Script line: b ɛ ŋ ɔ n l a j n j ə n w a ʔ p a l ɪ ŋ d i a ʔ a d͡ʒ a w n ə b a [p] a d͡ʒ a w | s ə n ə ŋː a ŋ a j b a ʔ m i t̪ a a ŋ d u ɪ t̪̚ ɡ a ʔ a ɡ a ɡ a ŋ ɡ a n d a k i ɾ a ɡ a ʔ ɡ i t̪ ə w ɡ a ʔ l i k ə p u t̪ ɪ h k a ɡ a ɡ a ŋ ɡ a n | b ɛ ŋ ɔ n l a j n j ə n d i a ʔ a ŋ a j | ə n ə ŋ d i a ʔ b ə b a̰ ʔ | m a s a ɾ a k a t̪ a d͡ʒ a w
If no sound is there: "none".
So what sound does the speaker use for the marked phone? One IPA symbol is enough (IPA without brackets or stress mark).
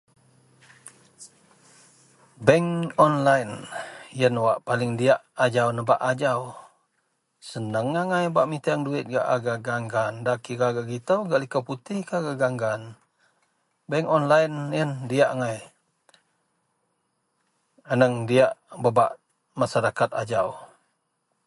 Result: ʔ